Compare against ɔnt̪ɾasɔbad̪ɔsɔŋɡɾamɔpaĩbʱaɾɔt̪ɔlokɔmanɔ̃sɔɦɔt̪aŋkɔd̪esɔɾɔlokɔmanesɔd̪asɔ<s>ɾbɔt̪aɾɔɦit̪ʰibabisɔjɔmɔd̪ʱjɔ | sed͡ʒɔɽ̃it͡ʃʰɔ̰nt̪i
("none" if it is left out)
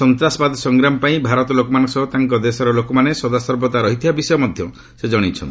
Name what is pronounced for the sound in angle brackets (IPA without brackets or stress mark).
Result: none